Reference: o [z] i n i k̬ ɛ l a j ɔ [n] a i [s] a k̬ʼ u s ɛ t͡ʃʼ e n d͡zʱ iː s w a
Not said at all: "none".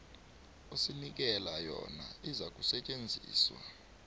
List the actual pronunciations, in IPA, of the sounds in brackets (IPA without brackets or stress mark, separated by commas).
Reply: s, n, z